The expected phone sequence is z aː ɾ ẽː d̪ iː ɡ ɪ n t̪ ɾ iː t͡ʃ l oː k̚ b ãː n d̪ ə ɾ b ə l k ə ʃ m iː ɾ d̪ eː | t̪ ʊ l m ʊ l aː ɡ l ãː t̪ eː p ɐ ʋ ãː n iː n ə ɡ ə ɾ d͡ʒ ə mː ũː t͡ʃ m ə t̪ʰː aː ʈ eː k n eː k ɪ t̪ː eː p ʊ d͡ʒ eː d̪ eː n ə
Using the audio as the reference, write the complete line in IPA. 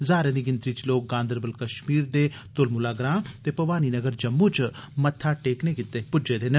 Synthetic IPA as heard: z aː ɾ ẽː d̪ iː ɡ ɪ n t̪ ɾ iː t͡ʃ l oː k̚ ɡ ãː n d̪ ə ɾ b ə l k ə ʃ m iː ɾ d̪ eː | t̪ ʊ l m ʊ l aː ɡ ɾ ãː t̪ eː p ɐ ʋ aː n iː n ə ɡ ə ɾ d͡ʒ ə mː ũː t͡ʃ m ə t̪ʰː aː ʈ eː k n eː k ɪ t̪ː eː p ʊ d͡ʒ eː d̪ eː n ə